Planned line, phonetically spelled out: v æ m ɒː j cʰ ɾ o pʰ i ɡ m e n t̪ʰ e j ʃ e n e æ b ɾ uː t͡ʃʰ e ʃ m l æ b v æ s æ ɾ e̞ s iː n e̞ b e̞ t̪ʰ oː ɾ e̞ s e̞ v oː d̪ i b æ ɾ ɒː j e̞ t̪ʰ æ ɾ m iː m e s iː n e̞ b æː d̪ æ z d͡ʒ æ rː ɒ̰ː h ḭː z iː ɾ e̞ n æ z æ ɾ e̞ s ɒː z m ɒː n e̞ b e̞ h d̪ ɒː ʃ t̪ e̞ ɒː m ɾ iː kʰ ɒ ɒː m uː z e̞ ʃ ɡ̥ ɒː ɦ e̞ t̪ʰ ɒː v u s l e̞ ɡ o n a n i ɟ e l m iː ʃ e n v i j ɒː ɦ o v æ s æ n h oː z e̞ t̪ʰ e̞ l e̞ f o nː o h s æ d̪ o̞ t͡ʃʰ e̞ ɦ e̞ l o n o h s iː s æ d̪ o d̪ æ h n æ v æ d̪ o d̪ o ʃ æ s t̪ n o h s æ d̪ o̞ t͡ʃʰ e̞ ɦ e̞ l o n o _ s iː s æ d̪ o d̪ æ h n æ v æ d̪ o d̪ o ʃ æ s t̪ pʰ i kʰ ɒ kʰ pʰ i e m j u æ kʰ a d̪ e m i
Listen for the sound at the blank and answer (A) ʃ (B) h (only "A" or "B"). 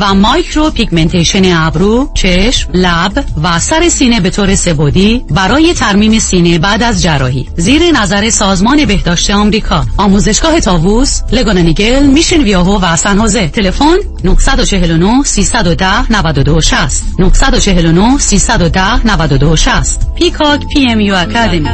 B